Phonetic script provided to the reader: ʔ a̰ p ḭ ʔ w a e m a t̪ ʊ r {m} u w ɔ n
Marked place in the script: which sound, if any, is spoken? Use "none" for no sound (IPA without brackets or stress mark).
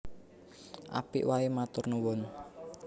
n